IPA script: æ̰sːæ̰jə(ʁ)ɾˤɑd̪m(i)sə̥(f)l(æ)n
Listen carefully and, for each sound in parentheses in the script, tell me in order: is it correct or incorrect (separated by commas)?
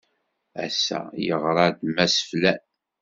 correct, incorrect, correct, correct